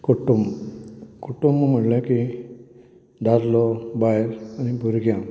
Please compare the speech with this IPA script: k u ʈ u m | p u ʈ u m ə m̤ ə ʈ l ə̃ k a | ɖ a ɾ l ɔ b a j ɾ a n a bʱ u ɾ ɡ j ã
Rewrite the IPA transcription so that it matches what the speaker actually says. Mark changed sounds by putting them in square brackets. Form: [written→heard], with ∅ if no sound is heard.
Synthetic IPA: k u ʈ u m | [p→k] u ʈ u m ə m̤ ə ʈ l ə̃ k [a→i] | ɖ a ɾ l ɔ b a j ɾ a n [a→i] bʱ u ɾ ɡ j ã